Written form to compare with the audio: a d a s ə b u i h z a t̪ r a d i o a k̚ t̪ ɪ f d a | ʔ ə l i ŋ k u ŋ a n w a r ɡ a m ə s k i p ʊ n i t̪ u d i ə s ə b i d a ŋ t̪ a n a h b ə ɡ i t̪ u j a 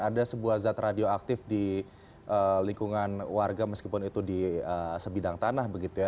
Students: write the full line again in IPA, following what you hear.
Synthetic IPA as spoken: a d a s ə b u a h z a t̪ r a d i o a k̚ t̪ ɪ f d i | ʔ ə l i ŋ k u ŋ a n w a r ɡ a m ə s k i p ʊ n i t̪ u d i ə s ə b i d a ŋ t̪ a n a h b ə ɡ i t̪ u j a